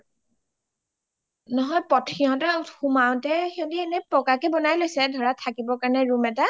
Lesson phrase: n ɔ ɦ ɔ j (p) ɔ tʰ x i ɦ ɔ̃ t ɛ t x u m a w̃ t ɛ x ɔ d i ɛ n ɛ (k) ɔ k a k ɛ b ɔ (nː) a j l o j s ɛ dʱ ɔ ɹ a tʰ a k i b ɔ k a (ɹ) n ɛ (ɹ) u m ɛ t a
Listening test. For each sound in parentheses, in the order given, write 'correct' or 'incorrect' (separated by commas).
correct, incorrect, incorrect, correct, correct